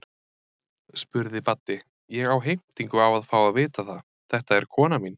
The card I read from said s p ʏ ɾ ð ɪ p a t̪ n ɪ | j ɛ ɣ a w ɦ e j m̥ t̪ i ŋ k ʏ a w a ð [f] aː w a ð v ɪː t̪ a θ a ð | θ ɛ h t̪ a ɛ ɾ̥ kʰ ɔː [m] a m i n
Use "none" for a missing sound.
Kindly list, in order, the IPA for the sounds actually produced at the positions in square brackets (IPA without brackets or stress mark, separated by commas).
f, n